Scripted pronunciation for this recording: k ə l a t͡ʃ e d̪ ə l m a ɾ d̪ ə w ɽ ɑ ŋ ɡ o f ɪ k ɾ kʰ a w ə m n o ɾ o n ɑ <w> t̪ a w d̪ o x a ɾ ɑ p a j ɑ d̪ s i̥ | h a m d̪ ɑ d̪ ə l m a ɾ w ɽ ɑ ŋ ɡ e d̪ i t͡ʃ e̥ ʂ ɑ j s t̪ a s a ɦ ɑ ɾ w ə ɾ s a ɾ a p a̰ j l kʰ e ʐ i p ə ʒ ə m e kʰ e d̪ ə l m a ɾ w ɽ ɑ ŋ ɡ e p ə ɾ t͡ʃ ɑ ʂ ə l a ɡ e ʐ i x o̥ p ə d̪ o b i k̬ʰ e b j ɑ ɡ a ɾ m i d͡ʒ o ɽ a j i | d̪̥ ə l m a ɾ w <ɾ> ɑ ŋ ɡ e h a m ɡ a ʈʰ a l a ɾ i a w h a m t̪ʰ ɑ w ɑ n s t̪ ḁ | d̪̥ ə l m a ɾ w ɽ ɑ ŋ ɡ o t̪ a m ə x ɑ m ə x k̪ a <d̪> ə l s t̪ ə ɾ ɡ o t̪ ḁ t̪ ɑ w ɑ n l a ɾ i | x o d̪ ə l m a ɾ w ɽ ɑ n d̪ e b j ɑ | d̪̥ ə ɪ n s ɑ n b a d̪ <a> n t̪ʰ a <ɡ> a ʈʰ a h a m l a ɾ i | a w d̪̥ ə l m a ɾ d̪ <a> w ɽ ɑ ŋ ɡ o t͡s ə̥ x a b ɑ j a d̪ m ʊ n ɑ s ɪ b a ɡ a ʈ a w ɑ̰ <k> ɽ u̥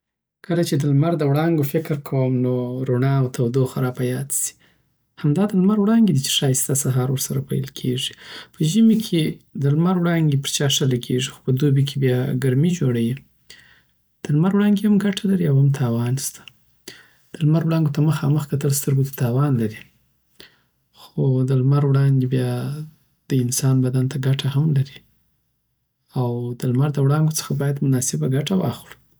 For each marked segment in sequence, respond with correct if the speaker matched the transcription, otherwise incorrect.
correct, incorrect: ɽ, incorrect: t̪, correct, correct, incorrect: ə, incorrect: x

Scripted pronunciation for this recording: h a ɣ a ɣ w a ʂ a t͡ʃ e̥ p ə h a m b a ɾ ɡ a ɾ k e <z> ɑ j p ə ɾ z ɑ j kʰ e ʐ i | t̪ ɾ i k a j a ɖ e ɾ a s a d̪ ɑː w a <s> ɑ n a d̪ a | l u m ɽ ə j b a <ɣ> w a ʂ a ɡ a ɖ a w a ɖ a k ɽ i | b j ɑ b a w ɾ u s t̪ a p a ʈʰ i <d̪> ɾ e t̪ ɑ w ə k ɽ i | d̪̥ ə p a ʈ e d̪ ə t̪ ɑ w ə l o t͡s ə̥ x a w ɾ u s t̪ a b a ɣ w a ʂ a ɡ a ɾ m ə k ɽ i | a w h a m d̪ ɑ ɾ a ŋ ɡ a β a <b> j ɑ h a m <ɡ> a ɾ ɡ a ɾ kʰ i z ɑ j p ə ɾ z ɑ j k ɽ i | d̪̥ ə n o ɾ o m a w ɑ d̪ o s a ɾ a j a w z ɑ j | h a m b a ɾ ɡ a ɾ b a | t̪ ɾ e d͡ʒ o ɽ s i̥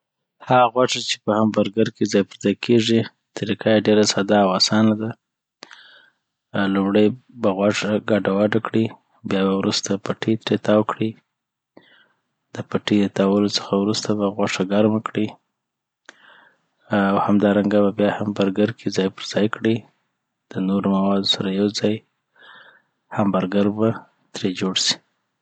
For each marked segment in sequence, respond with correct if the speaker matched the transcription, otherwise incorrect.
correct, correct, correct, incorrect: t̪, correct, incorrect: b

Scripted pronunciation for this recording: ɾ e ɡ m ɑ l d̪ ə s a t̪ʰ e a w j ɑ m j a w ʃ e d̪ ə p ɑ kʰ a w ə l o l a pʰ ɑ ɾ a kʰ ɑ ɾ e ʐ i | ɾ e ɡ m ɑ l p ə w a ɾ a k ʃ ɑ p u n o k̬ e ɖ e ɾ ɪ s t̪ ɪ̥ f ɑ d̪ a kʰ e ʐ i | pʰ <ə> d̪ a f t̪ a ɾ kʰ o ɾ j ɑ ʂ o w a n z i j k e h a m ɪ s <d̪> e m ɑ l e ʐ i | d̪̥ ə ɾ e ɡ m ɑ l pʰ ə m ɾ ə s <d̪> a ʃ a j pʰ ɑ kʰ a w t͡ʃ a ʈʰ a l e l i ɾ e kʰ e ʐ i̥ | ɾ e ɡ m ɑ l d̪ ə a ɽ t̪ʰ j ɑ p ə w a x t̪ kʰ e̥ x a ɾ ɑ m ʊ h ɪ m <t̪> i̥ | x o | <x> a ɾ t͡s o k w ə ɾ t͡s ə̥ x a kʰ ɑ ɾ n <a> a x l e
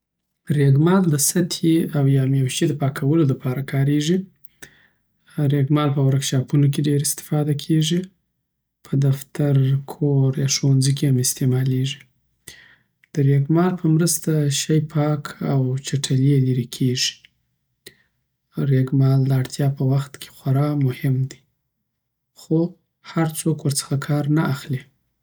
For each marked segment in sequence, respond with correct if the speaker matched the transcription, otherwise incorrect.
correct, incorrect: t̪, incorrect: t̪, incorrect: d̪, incorrect: h, correct

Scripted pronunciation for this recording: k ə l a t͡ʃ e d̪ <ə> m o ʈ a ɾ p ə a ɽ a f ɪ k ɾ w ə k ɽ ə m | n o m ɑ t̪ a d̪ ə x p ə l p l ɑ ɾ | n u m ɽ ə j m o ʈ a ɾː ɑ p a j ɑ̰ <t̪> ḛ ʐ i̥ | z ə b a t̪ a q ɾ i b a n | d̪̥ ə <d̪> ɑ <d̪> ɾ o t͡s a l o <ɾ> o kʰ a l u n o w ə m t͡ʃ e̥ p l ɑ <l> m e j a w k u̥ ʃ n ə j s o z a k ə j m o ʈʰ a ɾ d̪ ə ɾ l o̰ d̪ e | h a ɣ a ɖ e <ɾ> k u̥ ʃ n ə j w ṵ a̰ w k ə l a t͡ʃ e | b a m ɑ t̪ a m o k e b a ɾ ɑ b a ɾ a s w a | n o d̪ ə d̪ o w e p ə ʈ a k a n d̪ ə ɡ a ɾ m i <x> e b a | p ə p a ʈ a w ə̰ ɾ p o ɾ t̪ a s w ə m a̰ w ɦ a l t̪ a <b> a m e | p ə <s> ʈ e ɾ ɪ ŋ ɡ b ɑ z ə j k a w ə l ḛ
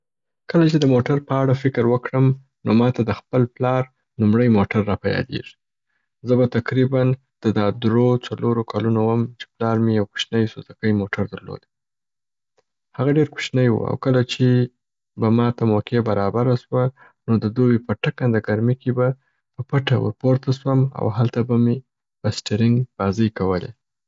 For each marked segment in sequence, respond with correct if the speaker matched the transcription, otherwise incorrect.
correct, incorrect: d̪, correct, correct, correct, incorrect: ɾ, correct, incorrect: k, correct, correct

